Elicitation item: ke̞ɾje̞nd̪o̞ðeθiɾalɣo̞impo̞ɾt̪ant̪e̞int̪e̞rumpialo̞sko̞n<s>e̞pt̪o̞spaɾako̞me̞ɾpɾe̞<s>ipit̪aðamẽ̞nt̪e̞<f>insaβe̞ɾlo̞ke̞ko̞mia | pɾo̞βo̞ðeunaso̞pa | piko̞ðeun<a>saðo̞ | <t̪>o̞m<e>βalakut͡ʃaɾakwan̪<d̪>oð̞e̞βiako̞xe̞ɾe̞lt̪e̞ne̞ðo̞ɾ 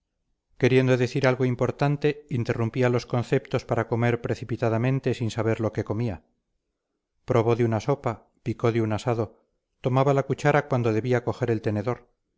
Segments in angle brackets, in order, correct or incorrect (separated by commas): incorrect, incorrect, incorrect, correct, correct, incorrect, correct